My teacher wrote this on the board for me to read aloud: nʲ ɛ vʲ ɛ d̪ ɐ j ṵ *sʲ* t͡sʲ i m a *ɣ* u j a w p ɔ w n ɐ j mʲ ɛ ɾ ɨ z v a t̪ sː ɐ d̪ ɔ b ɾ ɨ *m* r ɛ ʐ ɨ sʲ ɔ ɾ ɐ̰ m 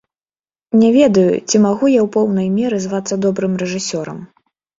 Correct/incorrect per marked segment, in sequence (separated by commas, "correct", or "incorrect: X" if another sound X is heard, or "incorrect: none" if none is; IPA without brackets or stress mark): incorrect: none, correct, correct